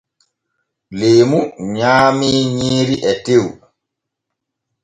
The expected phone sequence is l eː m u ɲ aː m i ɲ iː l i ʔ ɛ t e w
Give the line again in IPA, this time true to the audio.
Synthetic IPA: l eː m u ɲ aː m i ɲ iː ɾ i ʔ ɛ t e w